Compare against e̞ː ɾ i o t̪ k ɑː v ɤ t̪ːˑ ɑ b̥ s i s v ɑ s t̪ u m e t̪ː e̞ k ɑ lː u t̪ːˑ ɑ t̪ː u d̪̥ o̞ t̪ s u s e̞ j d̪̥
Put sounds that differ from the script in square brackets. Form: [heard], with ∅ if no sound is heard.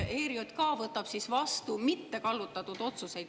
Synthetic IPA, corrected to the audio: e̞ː ɾ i o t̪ k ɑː v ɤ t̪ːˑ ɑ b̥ s i s v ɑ s t̪ u m [i] t̪ː e̞ k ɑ lː u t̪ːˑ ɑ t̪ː u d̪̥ o̞ t̪ s u s e̞ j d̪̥